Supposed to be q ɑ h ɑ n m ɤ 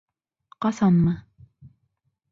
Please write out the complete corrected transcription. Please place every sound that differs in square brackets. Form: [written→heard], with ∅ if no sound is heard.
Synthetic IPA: q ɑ [h→s] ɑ n m ɤ